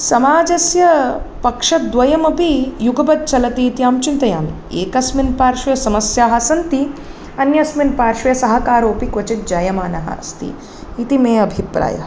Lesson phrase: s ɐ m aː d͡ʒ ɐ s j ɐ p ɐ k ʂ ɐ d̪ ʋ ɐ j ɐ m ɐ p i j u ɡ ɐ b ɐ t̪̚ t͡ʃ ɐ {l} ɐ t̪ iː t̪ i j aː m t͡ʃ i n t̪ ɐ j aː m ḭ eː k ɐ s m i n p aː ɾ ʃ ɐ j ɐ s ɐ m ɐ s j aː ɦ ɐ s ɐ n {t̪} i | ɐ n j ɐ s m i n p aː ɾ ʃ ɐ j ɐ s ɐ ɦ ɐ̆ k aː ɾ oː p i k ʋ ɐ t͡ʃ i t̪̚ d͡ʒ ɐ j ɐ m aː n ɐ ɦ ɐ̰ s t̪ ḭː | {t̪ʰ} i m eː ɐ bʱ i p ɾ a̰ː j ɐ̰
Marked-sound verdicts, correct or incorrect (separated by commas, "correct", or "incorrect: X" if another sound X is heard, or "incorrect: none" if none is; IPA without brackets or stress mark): correct, correct, incorrect: t̪